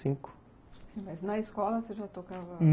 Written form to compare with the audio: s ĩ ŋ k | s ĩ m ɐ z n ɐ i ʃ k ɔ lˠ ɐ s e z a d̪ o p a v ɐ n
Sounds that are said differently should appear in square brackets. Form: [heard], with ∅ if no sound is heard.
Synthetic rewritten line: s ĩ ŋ k | s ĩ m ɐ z n ɐ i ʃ k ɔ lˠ ɐ s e [ʒ] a [t̪] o [k] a v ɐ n